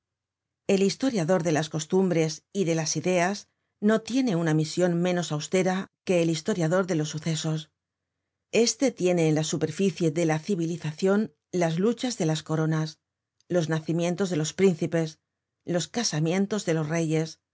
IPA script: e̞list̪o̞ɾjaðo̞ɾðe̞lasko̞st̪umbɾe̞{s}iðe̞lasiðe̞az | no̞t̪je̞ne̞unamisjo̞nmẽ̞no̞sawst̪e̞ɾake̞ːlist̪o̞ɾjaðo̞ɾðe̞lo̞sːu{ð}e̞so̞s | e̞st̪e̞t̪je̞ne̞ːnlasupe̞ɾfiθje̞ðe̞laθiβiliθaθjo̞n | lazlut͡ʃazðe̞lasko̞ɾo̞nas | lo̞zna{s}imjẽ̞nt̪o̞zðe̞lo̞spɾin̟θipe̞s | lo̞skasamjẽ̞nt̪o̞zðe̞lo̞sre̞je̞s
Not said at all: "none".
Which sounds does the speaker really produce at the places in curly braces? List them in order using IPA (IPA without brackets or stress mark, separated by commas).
s, θ, θ